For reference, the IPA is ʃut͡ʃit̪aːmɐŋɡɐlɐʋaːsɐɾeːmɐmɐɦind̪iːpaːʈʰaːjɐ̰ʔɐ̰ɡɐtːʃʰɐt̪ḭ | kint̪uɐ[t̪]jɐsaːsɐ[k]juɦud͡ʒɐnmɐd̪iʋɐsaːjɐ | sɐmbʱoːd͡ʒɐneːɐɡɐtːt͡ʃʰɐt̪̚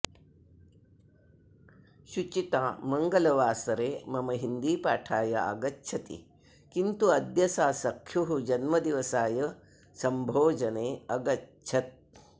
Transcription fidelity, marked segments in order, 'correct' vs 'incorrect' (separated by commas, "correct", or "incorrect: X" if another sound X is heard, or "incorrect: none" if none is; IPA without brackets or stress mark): incorrect: d̪, incorrect: kʰ